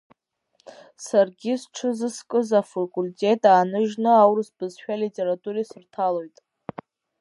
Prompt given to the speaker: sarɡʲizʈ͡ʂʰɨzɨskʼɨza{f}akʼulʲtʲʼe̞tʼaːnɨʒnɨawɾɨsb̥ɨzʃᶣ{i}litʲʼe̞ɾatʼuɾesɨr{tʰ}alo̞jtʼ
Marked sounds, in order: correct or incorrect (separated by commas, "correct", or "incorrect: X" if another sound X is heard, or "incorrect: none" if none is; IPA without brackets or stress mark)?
correct, incorrect: a, correct